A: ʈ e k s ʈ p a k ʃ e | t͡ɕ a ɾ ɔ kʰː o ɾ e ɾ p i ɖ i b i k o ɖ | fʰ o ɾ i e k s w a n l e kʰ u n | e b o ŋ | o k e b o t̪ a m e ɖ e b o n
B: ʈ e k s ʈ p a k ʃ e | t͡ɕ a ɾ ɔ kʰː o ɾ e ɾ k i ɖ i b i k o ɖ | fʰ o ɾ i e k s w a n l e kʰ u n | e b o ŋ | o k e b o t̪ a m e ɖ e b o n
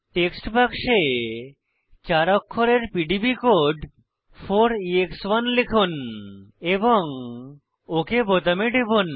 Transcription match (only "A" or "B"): A